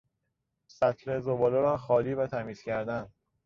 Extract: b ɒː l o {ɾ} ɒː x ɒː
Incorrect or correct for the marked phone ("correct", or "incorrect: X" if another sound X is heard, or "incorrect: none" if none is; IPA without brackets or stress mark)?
correct